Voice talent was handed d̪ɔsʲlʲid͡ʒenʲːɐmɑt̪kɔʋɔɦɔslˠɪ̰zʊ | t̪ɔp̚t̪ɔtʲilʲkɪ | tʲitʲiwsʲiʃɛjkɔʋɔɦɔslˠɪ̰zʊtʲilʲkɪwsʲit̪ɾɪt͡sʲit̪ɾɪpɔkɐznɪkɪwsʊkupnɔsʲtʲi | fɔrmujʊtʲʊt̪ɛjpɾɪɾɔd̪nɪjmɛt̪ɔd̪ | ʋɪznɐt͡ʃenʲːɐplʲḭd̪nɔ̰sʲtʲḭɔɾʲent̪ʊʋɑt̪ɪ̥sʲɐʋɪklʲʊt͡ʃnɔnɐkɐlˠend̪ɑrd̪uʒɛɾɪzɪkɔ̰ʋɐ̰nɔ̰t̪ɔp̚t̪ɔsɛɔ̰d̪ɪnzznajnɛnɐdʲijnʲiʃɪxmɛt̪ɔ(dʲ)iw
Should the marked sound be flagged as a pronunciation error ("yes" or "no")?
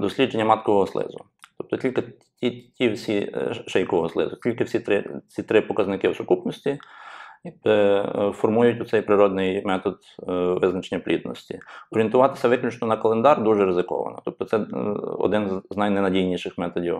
no